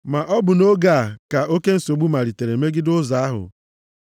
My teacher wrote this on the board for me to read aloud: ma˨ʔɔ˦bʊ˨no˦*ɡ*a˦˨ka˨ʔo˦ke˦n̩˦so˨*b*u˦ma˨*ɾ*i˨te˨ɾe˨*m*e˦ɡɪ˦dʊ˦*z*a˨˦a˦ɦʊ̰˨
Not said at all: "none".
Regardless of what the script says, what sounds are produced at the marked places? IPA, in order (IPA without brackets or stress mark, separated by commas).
ɡ, ɡ͡b, ɾ, m, z